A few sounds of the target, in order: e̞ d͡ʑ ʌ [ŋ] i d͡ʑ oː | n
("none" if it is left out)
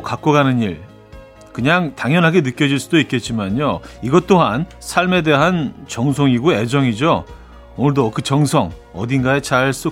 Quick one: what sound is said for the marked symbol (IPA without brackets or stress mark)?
ŋ